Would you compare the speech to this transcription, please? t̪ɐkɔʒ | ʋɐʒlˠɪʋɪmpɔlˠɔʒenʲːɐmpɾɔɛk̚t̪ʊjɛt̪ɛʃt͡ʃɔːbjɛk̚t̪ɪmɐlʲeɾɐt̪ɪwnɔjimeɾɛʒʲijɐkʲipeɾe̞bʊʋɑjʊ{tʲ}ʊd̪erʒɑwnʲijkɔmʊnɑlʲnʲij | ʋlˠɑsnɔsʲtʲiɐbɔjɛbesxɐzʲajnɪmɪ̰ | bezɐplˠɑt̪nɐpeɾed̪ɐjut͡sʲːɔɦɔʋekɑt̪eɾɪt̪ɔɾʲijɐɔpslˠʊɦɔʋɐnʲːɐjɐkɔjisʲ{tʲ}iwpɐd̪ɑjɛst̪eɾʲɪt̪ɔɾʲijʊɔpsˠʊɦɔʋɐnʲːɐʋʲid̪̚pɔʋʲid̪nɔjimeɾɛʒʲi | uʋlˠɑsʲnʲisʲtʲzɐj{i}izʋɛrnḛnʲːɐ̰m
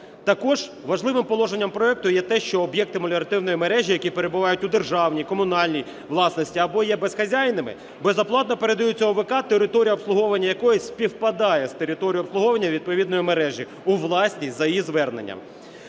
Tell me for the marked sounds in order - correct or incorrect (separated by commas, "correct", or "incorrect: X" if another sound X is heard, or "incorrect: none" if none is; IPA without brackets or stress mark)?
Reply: correct, incorrect: pʲ, incorrect: j